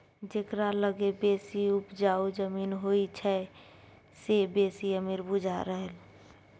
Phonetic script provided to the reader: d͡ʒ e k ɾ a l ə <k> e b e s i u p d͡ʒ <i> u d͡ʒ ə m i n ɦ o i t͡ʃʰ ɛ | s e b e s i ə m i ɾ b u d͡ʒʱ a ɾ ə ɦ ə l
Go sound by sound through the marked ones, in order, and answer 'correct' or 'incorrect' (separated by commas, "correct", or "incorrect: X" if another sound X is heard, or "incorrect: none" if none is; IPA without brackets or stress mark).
incorrect: ɡ, incorrect: a